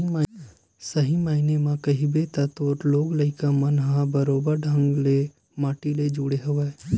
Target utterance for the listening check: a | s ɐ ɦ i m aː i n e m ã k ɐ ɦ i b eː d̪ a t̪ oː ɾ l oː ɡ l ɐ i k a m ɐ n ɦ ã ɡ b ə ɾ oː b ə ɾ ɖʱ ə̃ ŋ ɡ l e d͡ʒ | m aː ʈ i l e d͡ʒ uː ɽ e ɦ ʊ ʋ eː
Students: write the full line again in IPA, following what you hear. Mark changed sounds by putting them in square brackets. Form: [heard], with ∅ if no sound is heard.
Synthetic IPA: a | s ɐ ɦ i m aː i n e m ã k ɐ ɦ i b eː [t̪] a t̪ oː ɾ l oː ɡ l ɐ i k a m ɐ n ɦ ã [∅] b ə ɾ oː b ə ɾ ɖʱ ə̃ ŋ ɡ l e [∅] | m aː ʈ i l e d͡ʒ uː ɽ e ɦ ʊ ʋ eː